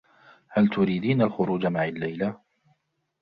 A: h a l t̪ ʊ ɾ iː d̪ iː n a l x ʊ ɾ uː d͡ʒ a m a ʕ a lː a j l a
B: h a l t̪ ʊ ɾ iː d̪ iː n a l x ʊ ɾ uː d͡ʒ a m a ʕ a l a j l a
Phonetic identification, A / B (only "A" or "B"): A